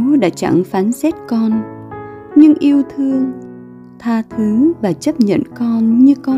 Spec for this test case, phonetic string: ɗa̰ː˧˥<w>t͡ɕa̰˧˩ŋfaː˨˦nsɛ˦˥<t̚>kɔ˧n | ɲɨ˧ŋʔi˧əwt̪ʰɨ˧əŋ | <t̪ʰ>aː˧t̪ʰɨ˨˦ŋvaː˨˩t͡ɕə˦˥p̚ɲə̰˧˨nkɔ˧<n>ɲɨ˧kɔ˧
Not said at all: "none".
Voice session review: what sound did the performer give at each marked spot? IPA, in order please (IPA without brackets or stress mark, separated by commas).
none, t̚, t̪ʰ, n